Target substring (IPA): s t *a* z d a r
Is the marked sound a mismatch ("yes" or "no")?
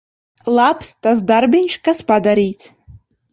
no